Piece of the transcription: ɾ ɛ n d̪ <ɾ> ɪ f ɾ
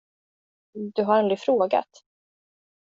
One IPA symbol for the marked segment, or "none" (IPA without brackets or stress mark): ɾ